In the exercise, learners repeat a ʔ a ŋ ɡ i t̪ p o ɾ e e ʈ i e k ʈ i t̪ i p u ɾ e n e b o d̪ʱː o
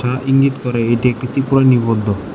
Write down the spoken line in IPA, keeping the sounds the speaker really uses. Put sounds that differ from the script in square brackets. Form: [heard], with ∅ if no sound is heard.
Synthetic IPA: a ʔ [i] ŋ ɡ i t̪ [k] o ɾ e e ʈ i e k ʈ i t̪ i p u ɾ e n [i] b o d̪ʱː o